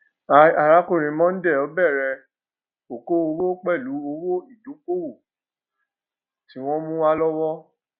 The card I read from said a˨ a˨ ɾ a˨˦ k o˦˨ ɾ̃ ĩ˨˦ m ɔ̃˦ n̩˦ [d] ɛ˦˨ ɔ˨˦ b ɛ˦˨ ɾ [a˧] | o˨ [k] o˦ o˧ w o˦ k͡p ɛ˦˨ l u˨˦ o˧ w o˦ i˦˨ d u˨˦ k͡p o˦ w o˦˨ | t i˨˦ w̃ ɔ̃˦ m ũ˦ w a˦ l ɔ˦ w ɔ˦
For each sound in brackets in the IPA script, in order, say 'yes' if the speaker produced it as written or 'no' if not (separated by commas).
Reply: yes, no, yes